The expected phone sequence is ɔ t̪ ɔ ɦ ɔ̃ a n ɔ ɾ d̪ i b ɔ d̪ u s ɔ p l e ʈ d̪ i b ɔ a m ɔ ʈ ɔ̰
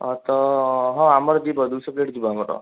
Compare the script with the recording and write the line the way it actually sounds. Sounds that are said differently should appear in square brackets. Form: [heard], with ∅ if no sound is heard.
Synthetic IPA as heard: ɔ t̪ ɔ ɦ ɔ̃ a [m] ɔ ɾ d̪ i b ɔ d̪ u s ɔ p l e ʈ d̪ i b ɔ a m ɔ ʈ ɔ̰